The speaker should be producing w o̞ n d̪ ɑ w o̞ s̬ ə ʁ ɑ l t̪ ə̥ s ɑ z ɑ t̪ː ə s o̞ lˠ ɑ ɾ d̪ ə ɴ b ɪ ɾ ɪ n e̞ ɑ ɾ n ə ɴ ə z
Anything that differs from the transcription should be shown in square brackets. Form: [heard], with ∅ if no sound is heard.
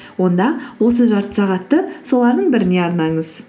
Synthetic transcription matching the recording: w o̞ n d̪ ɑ w o̞ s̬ ə [ʒ] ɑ [ɾ] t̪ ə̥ s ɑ [ʁ] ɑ t̪ː ə s o̞ lˠ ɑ ɾ d̪ ə ɴ b ɪ ɾ ɪ n e̞ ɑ ɾ n [ɑ] ɴ ə z